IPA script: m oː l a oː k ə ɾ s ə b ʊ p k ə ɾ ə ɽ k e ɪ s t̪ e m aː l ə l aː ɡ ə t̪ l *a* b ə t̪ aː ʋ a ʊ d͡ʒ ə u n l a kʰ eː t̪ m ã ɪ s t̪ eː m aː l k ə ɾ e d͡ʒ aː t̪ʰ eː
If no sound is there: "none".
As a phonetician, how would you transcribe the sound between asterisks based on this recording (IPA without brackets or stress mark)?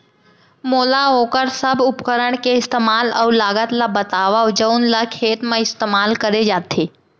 a